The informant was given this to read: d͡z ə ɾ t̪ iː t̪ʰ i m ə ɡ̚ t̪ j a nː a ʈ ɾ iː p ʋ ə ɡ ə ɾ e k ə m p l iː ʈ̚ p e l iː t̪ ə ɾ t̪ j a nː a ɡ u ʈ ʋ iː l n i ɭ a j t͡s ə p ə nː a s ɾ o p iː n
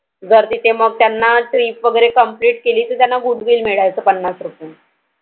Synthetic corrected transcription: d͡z ə ɾ t̪ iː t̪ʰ e m ə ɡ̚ t̪ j a nː a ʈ ɾ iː p ʋ ə ɡ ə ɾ e k ə m p l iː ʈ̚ k e l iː t̪ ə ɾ t̪ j a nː a ɡ u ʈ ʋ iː l m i ɭ a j t͡s ə p ə nː a s ɾ u p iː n